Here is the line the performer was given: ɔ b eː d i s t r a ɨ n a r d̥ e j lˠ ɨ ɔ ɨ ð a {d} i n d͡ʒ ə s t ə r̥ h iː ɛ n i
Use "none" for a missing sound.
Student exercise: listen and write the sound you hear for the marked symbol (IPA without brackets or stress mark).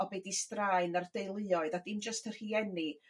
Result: d